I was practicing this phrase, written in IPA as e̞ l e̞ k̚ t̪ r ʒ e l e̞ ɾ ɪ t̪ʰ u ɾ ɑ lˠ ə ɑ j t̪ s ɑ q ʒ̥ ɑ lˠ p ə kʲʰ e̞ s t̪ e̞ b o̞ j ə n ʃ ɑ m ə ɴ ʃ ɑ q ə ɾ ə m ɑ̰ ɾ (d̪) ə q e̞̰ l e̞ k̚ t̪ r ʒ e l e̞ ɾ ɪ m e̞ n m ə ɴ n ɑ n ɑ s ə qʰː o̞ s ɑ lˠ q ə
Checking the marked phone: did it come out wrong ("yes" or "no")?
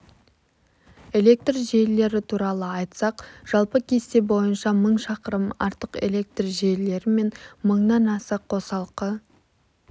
yes